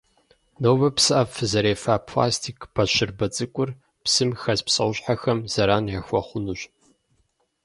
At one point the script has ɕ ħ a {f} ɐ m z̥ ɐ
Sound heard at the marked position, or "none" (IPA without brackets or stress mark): x